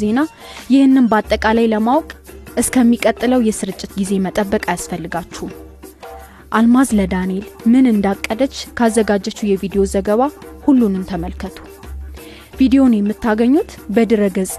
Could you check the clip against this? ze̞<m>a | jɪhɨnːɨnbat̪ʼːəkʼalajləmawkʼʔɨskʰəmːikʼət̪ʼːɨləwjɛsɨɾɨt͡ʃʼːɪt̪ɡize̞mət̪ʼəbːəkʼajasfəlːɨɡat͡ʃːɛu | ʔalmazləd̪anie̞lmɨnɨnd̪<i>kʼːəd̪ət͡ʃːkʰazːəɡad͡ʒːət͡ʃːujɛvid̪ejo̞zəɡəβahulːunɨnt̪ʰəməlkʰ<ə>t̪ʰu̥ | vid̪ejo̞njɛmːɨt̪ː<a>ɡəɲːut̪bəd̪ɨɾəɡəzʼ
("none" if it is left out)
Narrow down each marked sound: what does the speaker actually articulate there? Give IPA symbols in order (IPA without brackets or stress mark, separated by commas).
n, a, ə, a